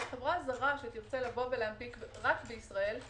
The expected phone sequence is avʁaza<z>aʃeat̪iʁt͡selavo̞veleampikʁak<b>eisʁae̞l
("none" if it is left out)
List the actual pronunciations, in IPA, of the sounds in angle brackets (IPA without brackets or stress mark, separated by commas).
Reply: ʁ, b